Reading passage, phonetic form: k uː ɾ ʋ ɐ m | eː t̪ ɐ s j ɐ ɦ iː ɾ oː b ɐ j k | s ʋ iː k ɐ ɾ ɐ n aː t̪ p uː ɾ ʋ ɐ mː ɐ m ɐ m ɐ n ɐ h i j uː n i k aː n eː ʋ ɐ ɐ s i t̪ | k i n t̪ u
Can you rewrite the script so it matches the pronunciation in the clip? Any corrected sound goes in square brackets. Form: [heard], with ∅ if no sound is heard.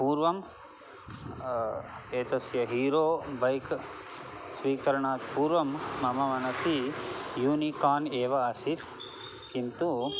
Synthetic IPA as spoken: [p] uː ɾ ʋ ɐ m | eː t̪ ɐ s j ɐ ɦ iː ɾ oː b ɐ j k | s ʋ iː k ɐ ɾ ɐ [ɳ] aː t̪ p uː ɾ ʋ ɐ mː ɐ m ɐ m ɐ n ɐ [s] i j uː n i k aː n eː ʋ ɐ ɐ s i t̪ | k i n t̪ u

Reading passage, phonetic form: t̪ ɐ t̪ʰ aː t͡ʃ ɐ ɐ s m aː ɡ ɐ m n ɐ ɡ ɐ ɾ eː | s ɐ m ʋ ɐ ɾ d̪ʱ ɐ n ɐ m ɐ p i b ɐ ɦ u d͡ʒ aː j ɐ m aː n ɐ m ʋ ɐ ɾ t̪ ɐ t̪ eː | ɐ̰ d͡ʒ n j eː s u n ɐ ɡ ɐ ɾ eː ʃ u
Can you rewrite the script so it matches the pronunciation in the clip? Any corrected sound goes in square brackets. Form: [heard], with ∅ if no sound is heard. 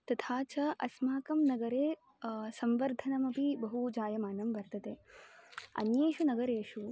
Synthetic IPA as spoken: t̪ ɐ t̪ʰ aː t͡ʃ ɐ ɐ s m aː [k] ɐ m n ɐ ɡ ɐ ɾ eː | s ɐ m ʋ ɐ ɾ d̪ʱ ɐ n ɐ m ɐ p i b ɐ ɦ u d͡ʒ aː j ɐ m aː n ɐ m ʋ ɐ ɾ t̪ ɐ t̪ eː | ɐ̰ [∅] n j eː [ʃ] u n ɐ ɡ ɐ ɾ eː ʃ u

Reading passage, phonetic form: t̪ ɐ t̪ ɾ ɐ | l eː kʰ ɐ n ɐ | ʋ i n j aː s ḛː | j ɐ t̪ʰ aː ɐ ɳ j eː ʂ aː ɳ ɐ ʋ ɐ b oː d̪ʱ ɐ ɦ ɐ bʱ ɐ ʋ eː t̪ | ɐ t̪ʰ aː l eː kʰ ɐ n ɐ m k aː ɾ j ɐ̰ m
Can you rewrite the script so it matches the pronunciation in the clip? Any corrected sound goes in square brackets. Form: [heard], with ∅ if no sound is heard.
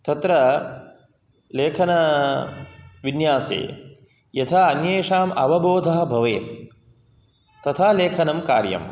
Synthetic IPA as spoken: t̪ ɐ t̪ ɾ ɐ | l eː kʰ ɐ n ɐ | ʋ i n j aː s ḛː | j ɐ t̪ʰ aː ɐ [n] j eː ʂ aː [m] ɐ ʋ ɐ b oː d̪ʱ ɐ ɦ ɐ bʱ ɐ ʋ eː t̪ | ɐ t̪ʰ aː l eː kʰ ɐ n ɐ m k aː ɾ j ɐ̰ m

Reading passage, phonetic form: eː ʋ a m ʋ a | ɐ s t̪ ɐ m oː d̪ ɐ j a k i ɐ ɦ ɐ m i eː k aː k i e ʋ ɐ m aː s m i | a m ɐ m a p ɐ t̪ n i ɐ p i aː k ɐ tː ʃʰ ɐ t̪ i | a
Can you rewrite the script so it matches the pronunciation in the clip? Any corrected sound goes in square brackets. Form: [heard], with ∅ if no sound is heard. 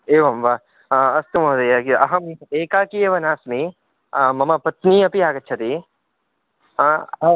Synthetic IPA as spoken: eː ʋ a m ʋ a | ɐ s t̪ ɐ m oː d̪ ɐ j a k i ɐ ɦ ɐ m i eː k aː k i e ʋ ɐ [n] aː s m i | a m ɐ m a p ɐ t̪ n i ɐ p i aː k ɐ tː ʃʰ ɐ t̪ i | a

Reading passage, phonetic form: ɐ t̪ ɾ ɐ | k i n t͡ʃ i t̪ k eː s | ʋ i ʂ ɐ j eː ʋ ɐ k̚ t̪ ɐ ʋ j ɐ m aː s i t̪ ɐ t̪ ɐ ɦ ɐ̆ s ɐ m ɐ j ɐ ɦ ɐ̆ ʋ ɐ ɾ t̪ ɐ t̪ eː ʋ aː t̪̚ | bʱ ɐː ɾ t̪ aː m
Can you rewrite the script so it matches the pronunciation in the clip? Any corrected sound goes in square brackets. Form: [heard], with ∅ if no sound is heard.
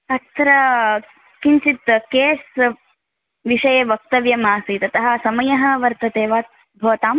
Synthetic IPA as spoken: ɐ t̪ ɾ ɐ | k i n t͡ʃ i t̪ k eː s | ʋ i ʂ ɐ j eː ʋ ɐ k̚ t̪ ɐ ʋ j ɐ m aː s i t̪ ɐ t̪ ɐ ɦ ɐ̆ s ɐ m ɐ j ɐ ɦ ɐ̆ ʋ ɐ ɾ t̪ ɐ t̪ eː ʋ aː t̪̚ | bʱ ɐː [∅] t̪ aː m

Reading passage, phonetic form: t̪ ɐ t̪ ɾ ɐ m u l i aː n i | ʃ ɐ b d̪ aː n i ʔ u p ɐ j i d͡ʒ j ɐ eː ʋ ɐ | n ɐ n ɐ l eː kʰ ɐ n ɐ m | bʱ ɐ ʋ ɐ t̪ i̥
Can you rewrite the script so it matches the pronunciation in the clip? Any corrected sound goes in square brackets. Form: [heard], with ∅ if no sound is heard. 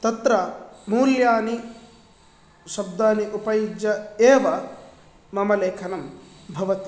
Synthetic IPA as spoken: t̪ ɐ t̪ ɾ ɐ m [uː] l [j] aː n i | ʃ ɐ b d̪ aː n i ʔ u p ɐ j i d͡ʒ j ɐ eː ʋ ɐ | [m] ɐ [m] ɐ l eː kʰ ɐ n ɐ m | bʱ ɐ ʋ ɐ t̪ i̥

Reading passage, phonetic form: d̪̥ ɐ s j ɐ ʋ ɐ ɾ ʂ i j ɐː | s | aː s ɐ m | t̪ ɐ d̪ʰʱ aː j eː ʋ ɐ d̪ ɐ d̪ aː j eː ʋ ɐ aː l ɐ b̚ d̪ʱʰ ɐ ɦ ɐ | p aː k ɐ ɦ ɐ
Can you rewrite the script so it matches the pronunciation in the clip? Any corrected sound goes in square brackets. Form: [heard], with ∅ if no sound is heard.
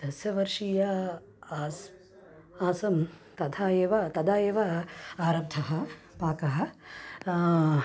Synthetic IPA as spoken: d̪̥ ɐ s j ɐ ʋ ɐ ɾ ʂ i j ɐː | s | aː s ɐ m | t̪ ɐ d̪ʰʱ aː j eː ʋ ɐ [t̪] ɐ d̪ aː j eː ʋ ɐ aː [ɾ] ɐ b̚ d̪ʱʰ ɐ ɦ ɐ | p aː k ɐ ɦ ɐ

